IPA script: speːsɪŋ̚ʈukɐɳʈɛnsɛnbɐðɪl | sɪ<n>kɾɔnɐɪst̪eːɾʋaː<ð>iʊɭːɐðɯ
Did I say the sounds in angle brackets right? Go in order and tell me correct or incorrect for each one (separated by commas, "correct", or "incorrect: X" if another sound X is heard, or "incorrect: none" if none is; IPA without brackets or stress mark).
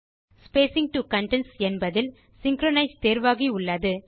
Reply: incorrect: ŋ, incorrect: ɣ